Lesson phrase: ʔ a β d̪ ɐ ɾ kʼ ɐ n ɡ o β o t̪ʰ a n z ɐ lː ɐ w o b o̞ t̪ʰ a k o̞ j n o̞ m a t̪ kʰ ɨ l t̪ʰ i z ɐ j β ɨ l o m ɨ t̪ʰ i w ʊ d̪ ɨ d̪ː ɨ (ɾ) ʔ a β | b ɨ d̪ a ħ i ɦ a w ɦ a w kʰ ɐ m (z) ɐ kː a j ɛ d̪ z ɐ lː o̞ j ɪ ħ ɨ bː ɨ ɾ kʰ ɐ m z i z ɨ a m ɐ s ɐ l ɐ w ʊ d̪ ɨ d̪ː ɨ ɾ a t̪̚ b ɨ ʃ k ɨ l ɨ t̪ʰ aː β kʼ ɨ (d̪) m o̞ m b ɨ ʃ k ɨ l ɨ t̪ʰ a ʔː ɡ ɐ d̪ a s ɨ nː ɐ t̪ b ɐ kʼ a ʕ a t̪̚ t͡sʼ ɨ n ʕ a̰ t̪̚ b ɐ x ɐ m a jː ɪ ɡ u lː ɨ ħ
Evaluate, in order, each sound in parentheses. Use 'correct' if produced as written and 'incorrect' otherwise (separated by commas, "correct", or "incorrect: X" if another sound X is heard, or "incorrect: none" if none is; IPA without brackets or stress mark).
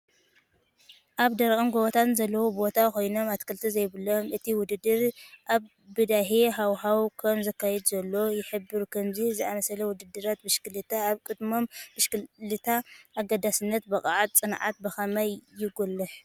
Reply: correct, correct, correct